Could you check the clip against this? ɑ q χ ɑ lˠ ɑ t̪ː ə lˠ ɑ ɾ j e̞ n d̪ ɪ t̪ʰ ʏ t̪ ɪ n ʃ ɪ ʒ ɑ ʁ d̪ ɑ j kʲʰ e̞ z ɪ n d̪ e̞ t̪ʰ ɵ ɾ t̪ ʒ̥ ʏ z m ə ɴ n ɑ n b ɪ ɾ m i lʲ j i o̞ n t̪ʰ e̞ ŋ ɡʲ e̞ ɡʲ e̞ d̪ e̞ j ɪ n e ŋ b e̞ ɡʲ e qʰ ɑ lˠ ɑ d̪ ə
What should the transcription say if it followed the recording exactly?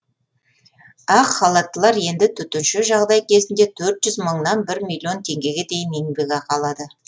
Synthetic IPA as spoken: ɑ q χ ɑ lˠ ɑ t̪ː ə lˠ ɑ ɾ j e̞ n d̪ ɪ t̪ʰ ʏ t̪ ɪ n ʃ ɪ ʒ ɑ ʁ d̪ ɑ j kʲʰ e̞ z ɪ n d̪ e̞ t̪ʰ ɵ ɾ t̪ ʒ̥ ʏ z m ə ɴ n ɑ n b ɪ ɾ m i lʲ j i o̞ n t̪ʰ e̞ ŋ ɡʲ e̞ ɡʲ e̞ d̪ e̞ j ɪ n e ŋ b e̞ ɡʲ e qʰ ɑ lˠ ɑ d̪ ə